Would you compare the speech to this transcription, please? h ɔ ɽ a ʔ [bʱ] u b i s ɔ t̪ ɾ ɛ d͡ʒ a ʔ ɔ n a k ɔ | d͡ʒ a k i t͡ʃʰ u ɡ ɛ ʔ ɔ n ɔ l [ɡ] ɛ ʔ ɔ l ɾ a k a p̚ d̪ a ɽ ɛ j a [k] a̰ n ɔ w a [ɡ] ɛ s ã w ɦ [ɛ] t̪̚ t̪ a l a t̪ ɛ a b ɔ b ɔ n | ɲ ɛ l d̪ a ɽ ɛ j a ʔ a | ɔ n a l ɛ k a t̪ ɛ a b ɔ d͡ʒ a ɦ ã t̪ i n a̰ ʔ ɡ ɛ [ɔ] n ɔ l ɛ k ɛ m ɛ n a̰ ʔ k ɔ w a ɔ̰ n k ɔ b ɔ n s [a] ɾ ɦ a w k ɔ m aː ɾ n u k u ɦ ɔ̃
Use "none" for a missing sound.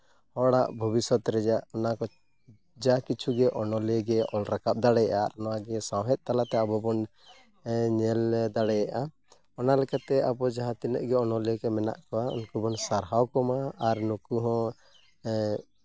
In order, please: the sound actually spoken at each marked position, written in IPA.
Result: bʱ, ɡ, ʔ, ɡ, ɛ, ɔ, a

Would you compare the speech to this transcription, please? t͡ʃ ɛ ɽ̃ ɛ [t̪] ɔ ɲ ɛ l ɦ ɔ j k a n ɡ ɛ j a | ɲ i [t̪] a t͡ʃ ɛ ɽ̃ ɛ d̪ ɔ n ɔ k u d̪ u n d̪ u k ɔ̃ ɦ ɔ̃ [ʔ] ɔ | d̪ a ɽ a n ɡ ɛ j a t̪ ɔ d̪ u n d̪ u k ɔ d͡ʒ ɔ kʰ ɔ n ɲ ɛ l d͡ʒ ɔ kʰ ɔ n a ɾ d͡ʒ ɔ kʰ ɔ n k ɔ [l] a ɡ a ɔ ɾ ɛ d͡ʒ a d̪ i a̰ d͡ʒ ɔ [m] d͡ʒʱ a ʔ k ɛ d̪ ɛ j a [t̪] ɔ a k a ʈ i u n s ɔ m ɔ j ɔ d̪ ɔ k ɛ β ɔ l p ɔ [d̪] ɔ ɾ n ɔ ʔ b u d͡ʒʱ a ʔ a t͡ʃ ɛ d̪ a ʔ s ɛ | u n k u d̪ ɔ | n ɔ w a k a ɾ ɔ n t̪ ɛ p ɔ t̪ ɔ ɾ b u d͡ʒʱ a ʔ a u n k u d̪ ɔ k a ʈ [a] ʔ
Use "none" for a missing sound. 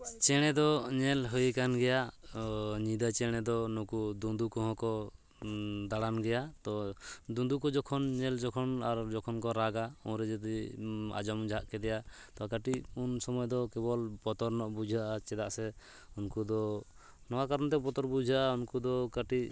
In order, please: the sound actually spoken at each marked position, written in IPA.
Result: d̪, d̪, k, ɾ, m, t̪, t̪, i

